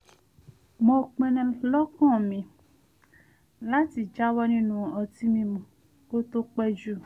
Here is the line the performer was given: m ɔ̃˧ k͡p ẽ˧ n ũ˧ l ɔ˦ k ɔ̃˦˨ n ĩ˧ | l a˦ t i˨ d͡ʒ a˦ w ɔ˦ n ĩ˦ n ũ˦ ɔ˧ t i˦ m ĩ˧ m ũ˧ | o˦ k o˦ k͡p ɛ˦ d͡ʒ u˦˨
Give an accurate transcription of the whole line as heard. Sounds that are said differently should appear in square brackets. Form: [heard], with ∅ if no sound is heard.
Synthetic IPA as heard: m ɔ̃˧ k͡p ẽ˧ n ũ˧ l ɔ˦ k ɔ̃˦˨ [m] ĩ˧ | l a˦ t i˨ d͡ʒ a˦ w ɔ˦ n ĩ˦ n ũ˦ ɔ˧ t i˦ m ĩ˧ m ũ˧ | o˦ [t] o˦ k͡p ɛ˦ d͡ʒ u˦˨